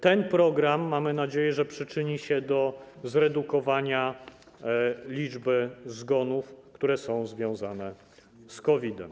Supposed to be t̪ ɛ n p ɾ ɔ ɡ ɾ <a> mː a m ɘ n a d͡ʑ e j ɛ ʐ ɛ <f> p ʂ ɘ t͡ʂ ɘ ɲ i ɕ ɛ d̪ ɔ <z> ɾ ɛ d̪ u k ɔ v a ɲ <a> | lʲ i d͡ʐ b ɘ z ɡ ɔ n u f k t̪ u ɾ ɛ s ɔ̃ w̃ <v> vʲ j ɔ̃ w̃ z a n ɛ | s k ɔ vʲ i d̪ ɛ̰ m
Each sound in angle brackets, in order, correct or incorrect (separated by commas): correct, incorrect, correct, correct, incorrect